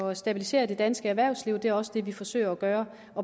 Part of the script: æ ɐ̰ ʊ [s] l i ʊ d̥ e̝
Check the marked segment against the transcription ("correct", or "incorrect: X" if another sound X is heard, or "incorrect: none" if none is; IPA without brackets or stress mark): correct